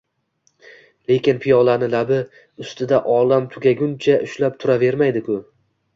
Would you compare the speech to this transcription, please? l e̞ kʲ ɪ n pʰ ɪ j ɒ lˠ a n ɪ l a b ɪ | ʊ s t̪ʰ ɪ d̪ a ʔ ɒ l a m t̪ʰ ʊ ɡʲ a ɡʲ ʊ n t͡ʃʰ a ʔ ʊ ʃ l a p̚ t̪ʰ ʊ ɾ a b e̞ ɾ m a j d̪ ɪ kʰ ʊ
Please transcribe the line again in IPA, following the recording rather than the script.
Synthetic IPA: l e̞ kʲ ɪ n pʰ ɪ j ɒ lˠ a n ɪ l a b ɪ | ʊ s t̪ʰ ɪ d̪ a ʔ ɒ l a m t̪ʰ ʊ ɡʲ a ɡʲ ʊ n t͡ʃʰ a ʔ ʊ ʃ l a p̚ t̪ʰ ʊ ɾ a v e̞ ɾ m a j d̪ ɪ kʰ ʊ